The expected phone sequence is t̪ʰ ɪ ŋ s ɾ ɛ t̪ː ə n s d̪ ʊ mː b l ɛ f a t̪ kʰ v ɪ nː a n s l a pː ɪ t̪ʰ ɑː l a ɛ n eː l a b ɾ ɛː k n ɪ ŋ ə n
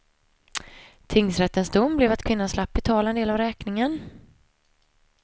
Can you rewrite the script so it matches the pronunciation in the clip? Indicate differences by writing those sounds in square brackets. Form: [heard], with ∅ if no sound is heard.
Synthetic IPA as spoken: t̪ʰ ɪ ŋ s ɾ ɛ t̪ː ə n s d̪ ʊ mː b l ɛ [v] a t̪ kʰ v ɪ nː a n s l a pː ɪ t̪ʰ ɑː l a ɛ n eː l a [v] ɾ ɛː k n ɪ ŋ ə n